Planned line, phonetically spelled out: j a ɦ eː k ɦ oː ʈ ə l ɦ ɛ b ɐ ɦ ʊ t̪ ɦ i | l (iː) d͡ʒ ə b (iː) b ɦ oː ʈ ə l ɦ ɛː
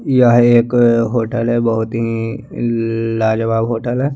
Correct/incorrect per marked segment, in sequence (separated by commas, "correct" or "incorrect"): incorrect, incorrect